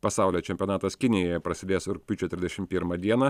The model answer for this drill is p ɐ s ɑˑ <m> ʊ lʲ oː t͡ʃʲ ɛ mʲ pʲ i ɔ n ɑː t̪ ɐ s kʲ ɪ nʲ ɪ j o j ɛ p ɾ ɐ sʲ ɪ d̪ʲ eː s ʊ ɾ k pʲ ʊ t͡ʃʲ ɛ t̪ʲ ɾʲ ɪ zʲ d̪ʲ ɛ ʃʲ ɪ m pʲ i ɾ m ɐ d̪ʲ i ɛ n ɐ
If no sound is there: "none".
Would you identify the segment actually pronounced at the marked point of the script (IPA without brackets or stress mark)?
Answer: none